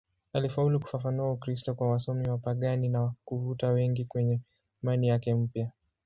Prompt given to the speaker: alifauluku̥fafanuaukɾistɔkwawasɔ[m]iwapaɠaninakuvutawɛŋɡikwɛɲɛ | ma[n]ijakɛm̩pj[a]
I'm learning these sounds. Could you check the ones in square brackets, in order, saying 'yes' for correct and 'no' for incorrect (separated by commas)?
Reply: yes, yes, yes